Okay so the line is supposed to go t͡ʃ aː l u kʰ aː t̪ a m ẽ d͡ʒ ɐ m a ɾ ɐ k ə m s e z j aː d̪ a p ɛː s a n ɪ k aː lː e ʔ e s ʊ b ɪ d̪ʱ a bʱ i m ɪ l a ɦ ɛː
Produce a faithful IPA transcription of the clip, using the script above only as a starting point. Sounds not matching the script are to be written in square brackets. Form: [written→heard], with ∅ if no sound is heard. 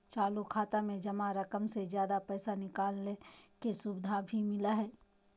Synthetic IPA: t͡ʃ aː l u kʰ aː t̪ a m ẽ d͡ʒ ɐ m a ɾ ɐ k ə m s e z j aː d̪ a p ɛː s a n ɪ k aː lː e [ʔ→k] e s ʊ b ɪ d̪ʱ a bʱ i m ɪ l a ɦ ɛː